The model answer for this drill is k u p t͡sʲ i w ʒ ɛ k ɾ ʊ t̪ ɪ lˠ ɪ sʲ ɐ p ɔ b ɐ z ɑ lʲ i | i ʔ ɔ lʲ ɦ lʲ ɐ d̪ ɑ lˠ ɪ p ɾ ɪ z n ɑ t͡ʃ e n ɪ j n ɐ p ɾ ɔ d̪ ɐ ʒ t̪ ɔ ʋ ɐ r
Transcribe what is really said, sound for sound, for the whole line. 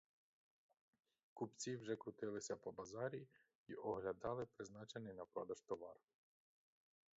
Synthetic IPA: k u p t͡sʲ i w ʒ ɛ k ɾ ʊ t̪ ɪ lˠ ɪ sʲ ɐ p ɔ b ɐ z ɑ ɾʲ i | i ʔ ɔ ɦ lʲ ɐ d̪ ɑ lˠ ɪ p ɾ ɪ z n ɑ t͡ʃ e n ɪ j n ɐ p ɾ ɔ d̪ ɐ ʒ t̪ ɔ ʋ ɑ r